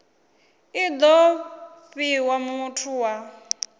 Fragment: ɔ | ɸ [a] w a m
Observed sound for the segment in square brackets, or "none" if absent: i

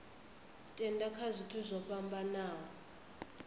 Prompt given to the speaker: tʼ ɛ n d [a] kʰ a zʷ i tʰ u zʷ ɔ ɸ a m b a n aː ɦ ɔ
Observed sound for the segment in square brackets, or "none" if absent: a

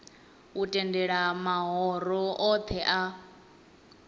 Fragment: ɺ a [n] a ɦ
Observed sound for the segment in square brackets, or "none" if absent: m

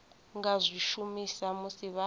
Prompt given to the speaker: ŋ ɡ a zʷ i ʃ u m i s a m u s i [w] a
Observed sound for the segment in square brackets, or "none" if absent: β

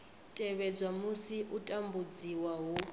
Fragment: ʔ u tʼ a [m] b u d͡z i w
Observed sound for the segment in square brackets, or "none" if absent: m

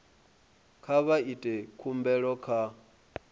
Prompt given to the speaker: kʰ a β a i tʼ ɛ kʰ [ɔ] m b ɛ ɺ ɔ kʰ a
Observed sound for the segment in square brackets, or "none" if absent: u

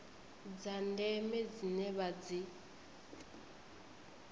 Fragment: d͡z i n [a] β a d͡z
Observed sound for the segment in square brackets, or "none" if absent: ɛ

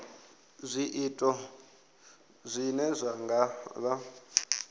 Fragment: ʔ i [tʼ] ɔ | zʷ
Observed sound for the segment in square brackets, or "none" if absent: tʼ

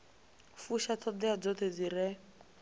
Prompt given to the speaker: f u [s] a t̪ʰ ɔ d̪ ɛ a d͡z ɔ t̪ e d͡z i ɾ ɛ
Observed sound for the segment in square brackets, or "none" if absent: ʃ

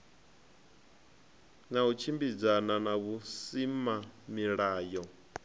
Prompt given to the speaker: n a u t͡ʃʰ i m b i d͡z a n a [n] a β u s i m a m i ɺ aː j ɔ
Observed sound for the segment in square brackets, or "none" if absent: n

